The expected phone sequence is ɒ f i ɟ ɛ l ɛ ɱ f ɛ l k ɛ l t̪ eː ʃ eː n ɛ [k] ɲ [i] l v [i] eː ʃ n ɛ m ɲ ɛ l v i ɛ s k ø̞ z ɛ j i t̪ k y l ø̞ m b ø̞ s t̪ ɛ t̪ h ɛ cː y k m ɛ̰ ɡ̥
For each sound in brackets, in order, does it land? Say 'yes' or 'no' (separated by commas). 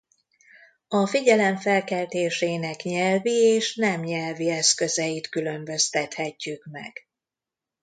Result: yes, no, yes